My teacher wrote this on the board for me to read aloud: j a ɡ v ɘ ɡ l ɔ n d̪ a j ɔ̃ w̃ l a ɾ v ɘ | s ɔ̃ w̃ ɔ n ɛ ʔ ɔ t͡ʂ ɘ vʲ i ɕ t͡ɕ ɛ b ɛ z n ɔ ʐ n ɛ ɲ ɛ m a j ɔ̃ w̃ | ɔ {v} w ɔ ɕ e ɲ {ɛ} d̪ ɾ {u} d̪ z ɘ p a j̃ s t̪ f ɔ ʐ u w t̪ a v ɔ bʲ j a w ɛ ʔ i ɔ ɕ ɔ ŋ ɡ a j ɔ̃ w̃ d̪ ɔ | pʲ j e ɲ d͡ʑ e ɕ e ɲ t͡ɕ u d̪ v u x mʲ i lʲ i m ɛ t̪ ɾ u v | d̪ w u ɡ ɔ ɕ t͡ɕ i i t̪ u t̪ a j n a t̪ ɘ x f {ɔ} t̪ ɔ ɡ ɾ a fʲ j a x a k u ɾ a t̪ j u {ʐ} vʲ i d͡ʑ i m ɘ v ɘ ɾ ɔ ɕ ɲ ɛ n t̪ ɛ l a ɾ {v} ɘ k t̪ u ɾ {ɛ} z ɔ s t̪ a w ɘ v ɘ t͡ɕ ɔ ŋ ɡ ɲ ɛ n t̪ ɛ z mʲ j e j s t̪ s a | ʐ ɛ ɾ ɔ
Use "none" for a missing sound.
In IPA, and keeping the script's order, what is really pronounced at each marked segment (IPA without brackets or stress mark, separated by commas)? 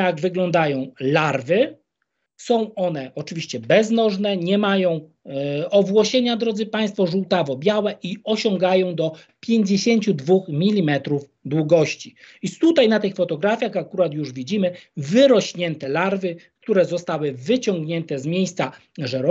v, a, ɔ, ɔ, ʐ, v, ɛ